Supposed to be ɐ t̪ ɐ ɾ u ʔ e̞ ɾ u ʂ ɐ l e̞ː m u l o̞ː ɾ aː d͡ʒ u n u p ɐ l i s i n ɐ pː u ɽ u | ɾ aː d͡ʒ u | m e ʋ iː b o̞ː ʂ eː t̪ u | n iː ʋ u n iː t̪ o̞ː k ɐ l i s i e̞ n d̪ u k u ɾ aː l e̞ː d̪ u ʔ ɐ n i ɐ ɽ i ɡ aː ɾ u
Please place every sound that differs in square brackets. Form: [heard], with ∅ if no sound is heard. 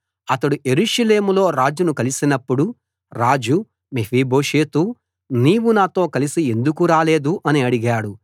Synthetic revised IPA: ɐ t̪ ɐ [ɽ] u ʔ e̞ ɾ u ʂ ɐ l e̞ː m u l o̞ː ɾ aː d͡ʒ u n u [k] ɐ l i s i n ɐ pː u ɽ u | ɾ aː d͡ʒ u | m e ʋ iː b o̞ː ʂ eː t̪ u | n iː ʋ u n [aː] t̪ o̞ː k ɐ l i s i e̞ n d̪ u k u ɾ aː l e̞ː d̪ u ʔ ɐ n i ɐ ɽ i ɡ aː [ɽ] u